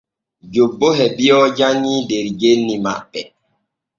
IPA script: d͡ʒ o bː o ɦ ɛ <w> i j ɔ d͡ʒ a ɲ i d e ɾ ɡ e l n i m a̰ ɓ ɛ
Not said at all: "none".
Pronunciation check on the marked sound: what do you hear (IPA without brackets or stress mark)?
b